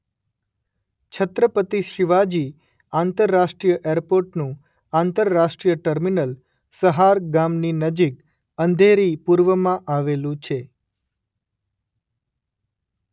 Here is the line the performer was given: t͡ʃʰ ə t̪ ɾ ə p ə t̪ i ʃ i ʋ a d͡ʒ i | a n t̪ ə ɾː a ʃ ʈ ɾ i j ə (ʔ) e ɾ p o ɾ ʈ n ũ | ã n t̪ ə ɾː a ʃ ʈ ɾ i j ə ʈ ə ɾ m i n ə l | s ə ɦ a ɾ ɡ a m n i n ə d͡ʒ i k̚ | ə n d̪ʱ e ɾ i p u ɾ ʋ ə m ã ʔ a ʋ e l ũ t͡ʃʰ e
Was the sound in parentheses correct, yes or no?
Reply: yes